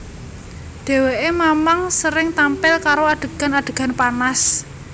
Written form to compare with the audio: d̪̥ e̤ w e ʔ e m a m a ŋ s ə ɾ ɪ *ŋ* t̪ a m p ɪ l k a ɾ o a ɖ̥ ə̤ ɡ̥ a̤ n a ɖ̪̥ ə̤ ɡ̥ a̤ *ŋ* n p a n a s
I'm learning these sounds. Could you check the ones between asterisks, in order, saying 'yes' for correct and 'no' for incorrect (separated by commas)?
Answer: yes, no